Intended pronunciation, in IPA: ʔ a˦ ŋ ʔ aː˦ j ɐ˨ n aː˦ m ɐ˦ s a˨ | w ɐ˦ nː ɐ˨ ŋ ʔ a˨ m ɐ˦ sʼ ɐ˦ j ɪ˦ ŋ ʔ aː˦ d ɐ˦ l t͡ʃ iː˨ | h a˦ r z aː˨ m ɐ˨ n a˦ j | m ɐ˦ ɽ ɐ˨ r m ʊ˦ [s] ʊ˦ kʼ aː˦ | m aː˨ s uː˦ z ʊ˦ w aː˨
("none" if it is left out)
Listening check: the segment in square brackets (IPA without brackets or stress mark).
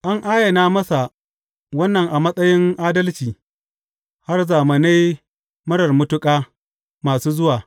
t